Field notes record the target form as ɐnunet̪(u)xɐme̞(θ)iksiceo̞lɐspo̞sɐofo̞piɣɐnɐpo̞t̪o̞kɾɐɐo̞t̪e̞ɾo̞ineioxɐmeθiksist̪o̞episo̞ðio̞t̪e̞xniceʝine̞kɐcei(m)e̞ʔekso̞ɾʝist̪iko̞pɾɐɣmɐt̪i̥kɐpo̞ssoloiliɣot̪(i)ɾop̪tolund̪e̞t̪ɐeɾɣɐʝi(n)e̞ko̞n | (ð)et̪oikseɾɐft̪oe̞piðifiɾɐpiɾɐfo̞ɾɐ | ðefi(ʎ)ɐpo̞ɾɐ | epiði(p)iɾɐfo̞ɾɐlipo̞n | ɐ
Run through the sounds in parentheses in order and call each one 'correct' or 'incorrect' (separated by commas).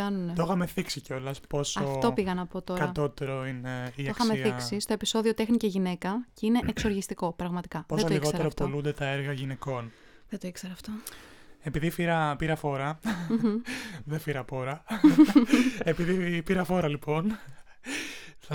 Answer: incorrect, correct, incorrect, incorrect, correct, correct, incorrect, correct